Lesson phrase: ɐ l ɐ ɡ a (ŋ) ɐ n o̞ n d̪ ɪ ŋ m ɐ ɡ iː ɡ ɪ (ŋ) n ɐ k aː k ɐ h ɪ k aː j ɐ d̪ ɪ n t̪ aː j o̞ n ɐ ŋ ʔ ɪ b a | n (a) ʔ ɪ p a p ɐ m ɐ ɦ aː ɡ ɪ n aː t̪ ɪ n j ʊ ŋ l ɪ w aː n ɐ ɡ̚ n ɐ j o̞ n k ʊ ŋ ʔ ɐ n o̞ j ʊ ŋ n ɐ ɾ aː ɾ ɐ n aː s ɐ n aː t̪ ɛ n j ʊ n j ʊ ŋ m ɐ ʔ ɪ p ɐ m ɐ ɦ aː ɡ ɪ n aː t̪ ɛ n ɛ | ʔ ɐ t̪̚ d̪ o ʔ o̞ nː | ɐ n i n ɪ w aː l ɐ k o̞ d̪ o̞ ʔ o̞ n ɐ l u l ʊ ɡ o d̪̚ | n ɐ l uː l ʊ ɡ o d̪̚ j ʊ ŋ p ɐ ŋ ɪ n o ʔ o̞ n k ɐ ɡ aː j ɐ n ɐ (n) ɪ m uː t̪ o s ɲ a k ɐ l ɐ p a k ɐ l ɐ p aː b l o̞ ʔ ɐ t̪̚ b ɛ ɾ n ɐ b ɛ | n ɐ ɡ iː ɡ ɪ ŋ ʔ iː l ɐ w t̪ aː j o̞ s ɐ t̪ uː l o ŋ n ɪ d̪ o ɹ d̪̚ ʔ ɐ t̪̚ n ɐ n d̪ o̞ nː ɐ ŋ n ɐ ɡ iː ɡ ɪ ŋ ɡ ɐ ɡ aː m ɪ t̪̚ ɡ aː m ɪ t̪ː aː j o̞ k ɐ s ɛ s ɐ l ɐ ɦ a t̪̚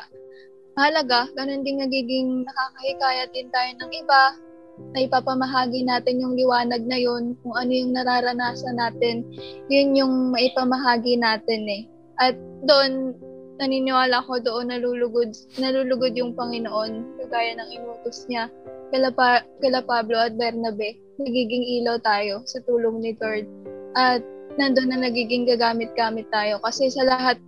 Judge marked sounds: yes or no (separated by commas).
no, yes, no, no